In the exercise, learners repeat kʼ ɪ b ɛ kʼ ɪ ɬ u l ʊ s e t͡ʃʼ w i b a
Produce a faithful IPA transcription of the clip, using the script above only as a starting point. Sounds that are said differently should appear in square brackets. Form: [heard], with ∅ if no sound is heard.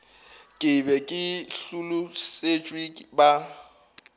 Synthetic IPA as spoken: kʼ ɪ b ɛ kʼ ɪ ɬ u l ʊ s e t͡ʃʼ w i b a

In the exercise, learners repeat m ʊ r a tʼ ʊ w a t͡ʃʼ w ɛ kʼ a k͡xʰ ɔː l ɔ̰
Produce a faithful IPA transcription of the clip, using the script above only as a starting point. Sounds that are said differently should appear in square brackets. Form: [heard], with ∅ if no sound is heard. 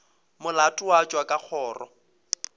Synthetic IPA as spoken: m ʊ [l] a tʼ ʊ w a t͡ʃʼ w [a] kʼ a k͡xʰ ɔː [r] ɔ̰

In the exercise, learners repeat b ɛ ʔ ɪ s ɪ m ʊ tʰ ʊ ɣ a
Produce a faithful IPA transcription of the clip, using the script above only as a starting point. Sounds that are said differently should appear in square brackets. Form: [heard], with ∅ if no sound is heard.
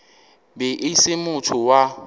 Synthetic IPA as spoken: b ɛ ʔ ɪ s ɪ m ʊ tʰ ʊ [w] a

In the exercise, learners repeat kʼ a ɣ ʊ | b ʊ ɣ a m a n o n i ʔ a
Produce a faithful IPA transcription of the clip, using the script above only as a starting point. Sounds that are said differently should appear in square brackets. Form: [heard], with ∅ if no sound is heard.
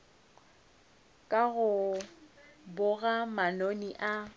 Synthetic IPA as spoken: kʼ a ɣ ʊ | b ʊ ɣ a m a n o n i ʔ a

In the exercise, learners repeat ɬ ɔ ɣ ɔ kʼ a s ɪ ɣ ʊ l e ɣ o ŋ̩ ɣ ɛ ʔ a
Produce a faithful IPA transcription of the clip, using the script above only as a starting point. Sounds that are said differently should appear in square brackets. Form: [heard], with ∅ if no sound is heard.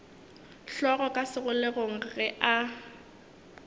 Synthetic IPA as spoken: ɬ ɔ ɣ ɔ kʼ a s ɪ ɣ ʊ l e ɣ o ŋ̩ ɣ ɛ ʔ a

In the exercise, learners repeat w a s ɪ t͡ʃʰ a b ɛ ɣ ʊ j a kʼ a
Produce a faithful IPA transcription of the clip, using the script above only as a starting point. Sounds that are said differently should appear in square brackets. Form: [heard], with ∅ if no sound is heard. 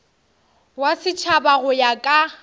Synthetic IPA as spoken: w a s ɪ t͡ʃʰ a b [a] ɣ ʊ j a kʼ a

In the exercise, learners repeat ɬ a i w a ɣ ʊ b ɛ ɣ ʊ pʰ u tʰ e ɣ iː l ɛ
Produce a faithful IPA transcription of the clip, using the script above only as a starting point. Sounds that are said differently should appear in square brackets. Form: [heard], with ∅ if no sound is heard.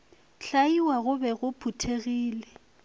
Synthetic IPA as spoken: ɬ a i w a ɣ ʊ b ɛ ɣ ʊ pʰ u tʰ e ɣ iː l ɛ

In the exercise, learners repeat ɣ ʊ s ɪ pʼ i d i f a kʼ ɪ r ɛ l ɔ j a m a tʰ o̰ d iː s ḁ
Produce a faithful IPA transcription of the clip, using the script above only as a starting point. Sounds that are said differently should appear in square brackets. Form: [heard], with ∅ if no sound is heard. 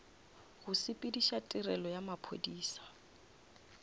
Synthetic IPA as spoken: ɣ ʊ s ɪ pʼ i d i [ʃ] a [tʼ] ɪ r ɛ l ɔ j a m a [pʰ] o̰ d iː s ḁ

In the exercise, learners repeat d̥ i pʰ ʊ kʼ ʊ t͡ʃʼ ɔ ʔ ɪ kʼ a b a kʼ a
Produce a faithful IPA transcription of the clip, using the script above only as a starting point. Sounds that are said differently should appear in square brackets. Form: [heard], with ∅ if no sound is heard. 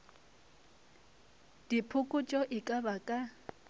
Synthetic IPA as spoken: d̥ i pʰ ʊ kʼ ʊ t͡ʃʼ ɔ ʔ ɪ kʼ a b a kʼ a

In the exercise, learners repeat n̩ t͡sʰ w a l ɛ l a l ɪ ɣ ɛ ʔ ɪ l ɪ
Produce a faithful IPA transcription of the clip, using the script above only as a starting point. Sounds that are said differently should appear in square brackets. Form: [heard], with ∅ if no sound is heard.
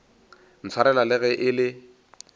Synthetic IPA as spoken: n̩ t͡sʰ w a [ɾ] ɛ l a l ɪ ɣ ɛ ʔ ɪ l ɪ

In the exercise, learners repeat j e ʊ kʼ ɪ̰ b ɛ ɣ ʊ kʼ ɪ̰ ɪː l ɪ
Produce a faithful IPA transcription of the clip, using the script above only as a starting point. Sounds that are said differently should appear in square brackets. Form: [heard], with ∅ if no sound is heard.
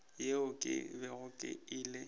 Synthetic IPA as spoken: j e ʊ kʼ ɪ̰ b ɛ ɣ ʊ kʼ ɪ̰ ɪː l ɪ

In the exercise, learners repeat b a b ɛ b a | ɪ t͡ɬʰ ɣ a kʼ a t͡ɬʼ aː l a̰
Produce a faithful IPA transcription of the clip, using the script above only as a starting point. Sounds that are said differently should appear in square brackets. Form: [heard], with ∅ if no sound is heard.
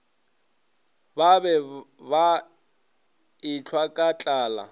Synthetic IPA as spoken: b a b ɛ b a | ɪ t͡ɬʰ [w] a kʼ a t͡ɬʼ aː l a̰

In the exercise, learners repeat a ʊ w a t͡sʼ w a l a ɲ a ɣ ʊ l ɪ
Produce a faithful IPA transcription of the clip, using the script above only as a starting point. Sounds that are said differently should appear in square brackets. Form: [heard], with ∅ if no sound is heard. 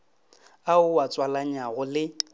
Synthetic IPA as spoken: a ʊ w a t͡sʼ w a l a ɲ a ɣ ʊ l ɪ

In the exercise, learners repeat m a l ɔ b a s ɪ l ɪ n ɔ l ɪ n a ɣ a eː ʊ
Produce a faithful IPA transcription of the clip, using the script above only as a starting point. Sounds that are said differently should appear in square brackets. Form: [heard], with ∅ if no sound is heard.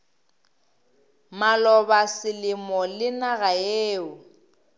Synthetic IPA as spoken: m a l ɔ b a s ɪ l ɪ [m] ɔ l ɪ n a ɣ a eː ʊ

